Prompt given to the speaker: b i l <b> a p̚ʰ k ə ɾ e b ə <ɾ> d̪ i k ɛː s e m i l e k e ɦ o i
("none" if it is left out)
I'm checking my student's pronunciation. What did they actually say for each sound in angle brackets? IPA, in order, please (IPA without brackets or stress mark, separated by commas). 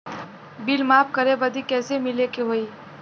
m, none